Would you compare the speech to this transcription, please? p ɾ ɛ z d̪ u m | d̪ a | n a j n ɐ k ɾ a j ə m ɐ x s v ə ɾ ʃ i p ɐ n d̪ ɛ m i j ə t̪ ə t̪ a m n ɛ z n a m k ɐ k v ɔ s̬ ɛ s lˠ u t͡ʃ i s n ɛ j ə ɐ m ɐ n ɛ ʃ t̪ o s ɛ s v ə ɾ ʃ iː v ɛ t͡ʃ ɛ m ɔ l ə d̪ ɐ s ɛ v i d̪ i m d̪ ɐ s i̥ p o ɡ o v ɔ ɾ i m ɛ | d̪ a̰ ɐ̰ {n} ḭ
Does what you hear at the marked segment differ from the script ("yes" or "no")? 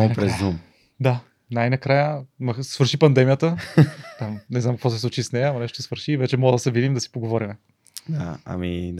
yes